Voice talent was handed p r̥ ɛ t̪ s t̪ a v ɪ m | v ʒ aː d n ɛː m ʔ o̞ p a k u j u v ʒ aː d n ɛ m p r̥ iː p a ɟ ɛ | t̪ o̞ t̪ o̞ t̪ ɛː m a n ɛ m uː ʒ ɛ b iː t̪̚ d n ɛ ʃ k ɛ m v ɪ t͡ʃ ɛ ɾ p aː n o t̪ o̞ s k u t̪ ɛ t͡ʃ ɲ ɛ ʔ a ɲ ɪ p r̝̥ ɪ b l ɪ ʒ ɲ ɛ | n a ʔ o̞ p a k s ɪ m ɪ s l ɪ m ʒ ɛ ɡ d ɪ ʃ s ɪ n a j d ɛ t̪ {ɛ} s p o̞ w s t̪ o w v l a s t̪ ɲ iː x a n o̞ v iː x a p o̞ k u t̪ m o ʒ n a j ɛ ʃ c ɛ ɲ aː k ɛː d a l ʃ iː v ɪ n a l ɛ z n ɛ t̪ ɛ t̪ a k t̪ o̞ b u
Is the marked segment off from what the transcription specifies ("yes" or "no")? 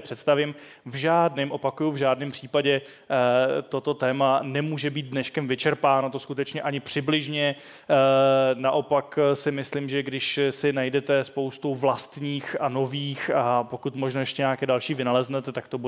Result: no